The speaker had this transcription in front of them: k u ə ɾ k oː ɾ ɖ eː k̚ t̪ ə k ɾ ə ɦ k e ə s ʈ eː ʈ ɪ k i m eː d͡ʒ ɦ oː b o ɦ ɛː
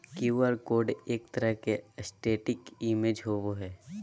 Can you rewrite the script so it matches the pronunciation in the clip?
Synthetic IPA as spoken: k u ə ɾ k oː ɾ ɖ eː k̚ t̪ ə ɾ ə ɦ k e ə s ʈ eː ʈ ɪ k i m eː d͡ʒ ɦ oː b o ɦ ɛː